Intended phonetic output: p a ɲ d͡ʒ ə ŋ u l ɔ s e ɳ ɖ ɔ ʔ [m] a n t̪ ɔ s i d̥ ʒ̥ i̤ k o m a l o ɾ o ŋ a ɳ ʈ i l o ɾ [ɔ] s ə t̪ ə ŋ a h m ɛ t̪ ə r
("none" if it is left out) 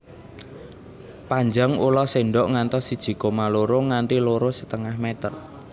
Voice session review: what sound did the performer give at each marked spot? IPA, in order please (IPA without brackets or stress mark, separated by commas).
ŋ, o